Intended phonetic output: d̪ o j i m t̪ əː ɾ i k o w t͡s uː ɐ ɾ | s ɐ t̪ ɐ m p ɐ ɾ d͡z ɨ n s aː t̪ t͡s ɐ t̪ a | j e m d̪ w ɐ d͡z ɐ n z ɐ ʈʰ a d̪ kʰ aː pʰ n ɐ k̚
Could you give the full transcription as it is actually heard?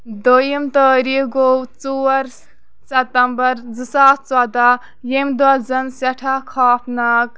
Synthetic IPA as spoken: d̪ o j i m t̪ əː ɾ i ɡ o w t͡s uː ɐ ɾ | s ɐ t̪ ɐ m b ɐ ɾ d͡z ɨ s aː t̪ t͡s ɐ d̪ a | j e m d̪ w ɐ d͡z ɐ n s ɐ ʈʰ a kʰ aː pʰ n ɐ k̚